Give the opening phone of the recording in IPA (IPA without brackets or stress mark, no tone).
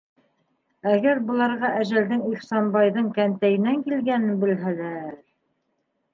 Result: æ